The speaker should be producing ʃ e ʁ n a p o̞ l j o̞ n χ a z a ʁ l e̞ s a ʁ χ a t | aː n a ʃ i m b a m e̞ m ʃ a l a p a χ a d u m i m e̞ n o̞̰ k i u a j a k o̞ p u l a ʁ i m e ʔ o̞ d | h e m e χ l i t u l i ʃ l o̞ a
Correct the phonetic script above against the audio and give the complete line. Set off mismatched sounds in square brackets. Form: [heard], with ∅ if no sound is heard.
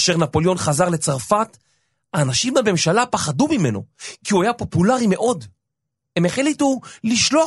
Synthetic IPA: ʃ e ʁ n a p o̞ l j o̞ n χ a z a ʁ l e̞ [t͡s] a ʁ [f] a t | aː n a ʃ i m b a m e̞ m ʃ a l a p a χ a d u m i m e̞ n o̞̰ k i u a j a [p] o̞ p u l a ʁ i m e ʔ o̞ d | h e m e χ l i t u l i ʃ l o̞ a